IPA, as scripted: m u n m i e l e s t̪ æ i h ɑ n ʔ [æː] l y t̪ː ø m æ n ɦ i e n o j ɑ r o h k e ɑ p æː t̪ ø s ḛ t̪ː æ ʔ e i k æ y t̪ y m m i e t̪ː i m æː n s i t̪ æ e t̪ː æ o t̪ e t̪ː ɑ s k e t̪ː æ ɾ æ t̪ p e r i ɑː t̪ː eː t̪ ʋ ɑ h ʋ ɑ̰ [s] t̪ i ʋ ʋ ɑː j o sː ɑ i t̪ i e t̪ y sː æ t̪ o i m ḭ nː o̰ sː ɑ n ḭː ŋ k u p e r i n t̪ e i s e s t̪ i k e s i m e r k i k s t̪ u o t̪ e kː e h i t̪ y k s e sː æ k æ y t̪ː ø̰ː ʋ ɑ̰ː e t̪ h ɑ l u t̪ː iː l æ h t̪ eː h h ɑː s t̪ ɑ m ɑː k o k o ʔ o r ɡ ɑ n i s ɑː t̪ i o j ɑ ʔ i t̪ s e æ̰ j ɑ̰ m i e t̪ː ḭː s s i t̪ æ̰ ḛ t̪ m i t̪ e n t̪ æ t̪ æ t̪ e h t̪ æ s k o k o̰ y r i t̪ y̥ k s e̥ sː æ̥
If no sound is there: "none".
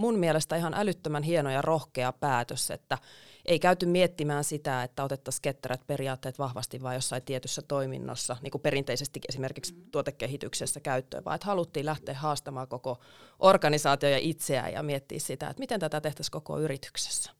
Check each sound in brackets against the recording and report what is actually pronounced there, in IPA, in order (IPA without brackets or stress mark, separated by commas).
æ, s